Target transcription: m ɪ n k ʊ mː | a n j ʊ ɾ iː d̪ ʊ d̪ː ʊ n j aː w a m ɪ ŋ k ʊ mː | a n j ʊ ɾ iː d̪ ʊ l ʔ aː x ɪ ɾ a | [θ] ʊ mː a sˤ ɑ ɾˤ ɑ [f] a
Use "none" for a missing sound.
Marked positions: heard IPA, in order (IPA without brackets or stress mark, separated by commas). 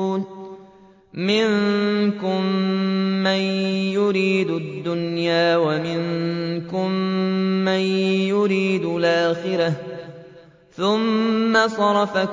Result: θ, f